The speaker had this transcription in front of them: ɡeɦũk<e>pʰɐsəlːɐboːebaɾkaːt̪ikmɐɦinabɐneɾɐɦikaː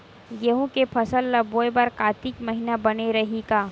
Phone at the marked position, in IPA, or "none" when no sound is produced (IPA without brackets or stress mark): e